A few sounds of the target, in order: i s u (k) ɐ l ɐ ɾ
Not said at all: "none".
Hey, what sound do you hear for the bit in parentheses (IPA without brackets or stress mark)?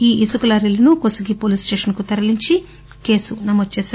k